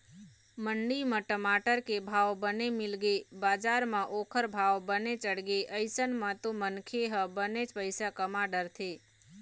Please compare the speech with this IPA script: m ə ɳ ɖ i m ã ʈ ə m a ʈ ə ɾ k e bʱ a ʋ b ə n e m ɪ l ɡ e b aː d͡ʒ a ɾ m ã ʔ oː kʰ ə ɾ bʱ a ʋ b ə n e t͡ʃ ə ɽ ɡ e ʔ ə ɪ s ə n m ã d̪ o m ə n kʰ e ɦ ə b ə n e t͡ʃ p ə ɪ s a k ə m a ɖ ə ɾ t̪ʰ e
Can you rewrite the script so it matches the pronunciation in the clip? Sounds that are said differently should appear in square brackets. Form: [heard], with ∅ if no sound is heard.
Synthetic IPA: m ə ɳ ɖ i m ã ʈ ə m a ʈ ə ɾ k e bʱ a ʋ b ə n e m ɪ l ɡ e b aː d͡ʒ a ɾ m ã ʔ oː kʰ ə ɾ bʱ a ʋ b ə n e t͡ʃ ə ɽ ɡ e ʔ ə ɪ s ə n m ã [t̪] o m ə n kʰ e ɦ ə b ə n e t͡ʃ p ə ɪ s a k ə m a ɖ ə ɾ t̪ʰ e